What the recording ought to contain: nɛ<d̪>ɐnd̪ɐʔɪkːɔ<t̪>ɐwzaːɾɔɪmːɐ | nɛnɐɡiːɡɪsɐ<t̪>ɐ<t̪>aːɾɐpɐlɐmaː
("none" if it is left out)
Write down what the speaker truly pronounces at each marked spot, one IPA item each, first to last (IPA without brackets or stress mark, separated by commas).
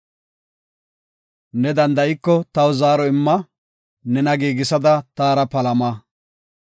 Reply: d̪, t̪, d̪, t̪